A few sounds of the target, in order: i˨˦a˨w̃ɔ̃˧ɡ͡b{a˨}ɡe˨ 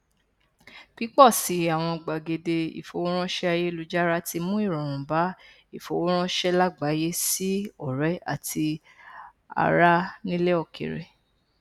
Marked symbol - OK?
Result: yes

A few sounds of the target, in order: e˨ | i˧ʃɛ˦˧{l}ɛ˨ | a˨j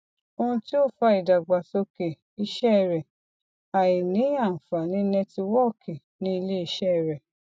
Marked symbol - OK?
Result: no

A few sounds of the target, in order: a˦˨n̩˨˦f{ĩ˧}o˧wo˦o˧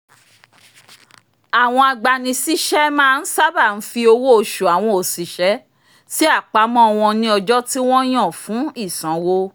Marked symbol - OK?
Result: no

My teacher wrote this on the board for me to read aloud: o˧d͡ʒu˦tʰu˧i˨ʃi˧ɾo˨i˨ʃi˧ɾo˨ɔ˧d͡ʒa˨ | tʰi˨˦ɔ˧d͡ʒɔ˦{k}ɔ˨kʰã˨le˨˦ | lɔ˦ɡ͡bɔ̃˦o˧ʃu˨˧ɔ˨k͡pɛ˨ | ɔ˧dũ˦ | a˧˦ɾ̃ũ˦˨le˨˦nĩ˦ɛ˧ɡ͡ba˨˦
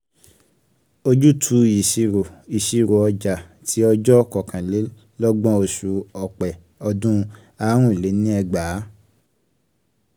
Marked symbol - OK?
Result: yes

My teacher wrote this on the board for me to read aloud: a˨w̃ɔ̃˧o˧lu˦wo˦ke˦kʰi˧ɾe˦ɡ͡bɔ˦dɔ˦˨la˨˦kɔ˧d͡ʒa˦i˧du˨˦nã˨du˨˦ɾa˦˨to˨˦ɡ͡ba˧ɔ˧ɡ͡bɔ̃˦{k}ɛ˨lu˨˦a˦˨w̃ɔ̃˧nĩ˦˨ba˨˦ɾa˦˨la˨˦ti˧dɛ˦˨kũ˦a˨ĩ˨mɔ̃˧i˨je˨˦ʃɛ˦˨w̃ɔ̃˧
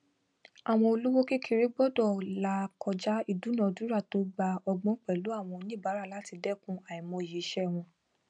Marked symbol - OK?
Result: no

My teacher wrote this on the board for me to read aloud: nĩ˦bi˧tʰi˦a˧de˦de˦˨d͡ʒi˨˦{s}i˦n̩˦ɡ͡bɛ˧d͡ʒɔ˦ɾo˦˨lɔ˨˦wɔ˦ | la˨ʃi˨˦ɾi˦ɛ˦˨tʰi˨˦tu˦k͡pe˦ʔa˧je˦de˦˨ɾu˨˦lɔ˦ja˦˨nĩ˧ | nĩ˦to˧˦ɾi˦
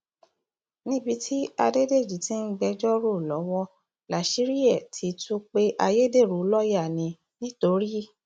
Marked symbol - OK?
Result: no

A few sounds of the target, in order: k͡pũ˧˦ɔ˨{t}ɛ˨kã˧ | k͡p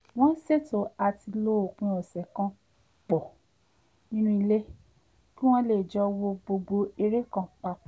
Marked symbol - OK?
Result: no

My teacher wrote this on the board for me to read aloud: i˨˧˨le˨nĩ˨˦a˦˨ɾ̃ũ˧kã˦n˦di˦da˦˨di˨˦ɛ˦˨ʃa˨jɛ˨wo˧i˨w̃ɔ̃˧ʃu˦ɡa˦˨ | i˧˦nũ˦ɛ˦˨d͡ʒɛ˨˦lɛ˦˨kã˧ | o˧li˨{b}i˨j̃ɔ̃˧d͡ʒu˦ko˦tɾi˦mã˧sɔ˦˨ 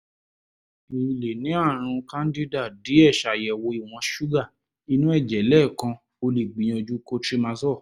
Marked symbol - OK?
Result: no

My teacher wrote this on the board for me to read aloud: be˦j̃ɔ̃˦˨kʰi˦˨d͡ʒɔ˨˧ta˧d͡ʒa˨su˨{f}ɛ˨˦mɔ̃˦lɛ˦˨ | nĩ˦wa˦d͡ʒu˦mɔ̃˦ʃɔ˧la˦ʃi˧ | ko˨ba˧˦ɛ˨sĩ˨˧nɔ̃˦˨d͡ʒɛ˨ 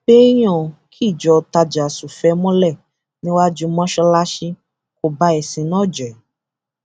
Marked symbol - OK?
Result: yes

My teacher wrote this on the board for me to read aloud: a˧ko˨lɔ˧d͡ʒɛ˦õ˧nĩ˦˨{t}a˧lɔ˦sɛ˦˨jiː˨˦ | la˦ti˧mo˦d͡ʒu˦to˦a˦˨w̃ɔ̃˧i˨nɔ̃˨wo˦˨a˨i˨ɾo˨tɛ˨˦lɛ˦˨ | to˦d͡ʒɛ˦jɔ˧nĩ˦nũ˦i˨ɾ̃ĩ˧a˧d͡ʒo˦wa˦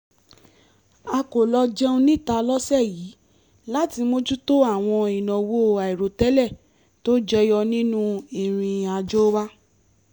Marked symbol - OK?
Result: yes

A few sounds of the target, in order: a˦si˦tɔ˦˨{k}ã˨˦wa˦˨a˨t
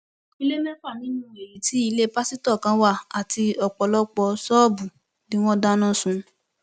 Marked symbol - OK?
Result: yes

